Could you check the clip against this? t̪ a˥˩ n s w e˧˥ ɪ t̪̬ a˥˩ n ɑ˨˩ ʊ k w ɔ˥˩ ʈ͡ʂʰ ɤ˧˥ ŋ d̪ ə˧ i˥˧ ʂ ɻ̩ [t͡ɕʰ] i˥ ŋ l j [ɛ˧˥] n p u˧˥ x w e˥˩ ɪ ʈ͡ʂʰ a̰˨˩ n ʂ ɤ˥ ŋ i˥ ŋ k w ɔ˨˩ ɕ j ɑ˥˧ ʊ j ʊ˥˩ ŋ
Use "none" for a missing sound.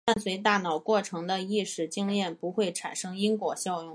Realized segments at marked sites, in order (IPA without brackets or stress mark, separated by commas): t͡ɕ, ɛ˥˩